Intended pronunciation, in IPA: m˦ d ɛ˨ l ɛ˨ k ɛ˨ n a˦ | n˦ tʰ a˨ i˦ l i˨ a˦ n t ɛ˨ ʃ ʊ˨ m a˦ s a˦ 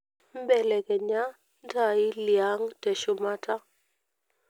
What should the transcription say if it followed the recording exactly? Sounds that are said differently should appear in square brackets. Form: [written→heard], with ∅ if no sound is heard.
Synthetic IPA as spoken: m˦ [d→b] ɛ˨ l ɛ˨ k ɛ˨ [n→ɲ] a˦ | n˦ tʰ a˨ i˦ l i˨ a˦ [n→ŋ] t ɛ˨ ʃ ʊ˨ m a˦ [s→t] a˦